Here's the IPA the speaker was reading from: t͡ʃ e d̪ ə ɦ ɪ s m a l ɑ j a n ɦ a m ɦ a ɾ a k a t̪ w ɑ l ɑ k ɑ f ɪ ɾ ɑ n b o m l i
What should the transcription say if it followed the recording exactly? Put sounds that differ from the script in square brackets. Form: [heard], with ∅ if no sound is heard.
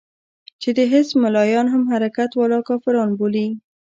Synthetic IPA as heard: t͡ʃ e d̪ ə ɦ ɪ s m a l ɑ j [ɑ] n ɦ a m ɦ a ɾ a k a t̪ w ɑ l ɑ k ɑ f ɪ ɾ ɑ n b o [∅] l i